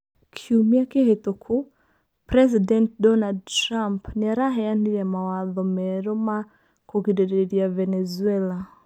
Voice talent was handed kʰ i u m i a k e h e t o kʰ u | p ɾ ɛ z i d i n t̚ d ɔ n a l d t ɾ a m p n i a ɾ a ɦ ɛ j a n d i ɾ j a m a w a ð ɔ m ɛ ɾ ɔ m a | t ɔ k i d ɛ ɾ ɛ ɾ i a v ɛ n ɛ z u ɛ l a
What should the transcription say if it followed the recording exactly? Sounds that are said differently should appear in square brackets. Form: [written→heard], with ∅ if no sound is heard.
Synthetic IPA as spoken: kʰ i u m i a k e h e t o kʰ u | p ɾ ɛ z i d [i→ɛ] n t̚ d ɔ n a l d t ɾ a m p n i a ɾ a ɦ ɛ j a n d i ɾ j a m a w a ð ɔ m ɛ ɾ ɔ m a | [t→k] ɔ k i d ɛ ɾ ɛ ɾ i a v ɛ n ɛ z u ɛ l a